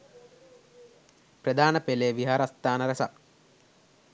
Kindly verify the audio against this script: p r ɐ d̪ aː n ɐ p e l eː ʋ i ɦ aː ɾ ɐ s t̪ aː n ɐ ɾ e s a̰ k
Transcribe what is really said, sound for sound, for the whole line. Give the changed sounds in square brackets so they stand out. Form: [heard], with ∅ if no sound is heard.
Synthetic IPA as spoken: p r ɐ d̪ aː n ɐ p e l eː ʋ i ɦ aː ɾ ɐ s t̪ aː n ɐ ɾ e s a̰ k